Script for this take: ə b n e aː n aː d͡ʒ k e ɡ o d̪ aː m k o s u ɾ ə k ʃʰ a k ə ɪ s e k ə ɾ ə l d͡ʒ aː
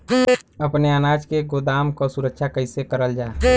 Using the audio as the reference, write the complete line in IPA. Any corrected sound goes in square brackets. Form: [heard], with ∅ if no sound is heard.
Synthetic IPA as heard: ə [p] n e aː n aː d͡ʒ k e ɡ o d̪ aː m k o s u ɾ ə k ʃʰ a k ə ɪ s e k ə ɾ ə l d͡ʒ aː